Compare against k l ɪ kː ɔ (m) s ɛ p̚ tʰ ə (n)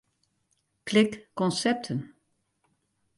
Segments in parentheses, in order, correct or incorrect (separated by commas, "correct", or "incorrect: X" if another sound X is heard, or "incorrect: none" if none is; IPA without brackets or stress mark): incorrect: n, correct